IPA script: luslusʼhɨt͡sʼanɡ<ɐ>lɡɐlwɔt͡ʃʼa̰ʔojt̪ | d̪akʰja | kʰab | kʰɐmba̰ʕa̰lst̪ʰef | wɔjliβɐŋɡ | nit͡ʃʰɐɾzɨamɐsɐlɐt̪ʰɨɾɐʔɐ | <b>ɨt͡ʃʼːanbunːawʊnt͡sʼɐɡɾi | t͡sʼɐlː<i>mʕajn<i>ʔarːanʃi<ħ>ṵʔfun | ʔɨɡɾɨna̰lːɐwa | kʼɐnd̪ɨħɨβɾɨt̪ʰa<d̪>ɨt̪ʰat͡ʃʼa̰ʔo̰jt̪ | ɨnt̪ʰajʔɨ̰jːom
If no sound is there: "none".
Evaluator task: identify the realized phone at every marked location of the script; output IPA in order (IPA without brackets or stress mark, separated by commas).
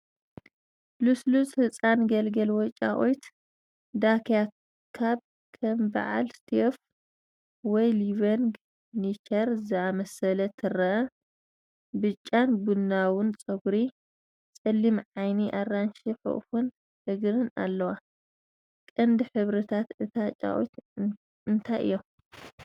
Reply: ɐ, b, i, i, ħ, t̪